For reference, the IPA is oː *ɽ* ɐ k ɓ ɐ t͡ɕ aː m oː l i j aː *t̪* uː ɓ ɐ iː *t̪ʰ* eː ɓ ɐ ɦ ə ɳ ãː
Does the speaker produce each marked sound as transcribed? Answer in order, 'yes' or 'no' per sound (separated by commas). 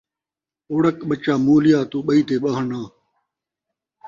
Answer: yes, yes, no